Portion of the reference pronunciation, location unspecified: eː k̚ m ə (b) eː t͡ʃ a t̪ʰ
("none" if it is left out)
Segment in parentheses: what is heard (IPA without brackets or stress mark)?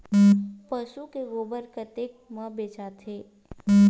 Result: b